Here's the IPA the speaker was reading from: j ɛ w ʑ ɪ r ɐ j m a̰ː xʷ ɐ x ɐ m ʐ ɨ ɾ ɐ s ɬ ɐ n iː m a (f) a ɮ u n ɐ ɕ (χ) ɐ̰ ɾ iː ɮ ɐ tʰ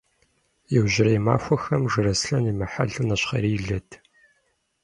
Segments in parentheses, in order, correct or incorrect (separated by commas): incorrect, correct